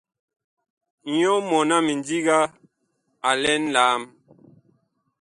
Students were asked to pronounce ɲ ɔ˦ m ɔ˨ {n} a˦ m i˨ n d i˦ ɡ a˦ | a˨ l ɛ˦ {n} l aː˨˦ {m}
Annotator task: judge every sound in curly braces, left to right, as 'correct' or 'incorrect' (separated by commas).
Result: correct, correct, correct